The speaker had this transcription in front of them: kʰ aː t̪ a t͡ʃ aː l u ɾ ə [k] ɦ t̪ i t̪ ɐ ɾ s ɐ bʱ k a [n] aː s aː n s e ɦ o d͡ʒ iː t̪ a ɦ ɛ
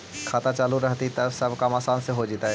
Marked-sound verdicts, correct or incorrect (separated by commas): incorrect, incorrect